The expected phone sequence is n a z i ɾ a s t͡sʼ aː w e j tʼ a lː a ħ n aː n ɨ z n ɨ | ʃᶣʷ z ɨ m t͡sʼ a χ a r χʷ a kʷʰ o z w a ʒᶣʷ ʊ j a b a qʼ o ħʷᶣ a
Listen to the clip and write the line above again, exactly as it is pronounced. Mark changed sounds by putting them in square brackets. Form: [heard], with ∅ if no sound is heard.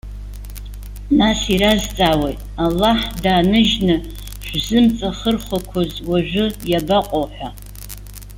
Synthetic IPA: n a [s] i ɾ a [z] t͡sʼ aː w e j tʼ a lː a ħ [d] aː n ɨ [ʒ] n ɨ | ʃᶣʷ z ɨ m t͡sʼ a χ [ə] r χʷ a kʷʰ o z w a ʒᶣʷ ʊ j a b a qʼ o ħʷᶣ a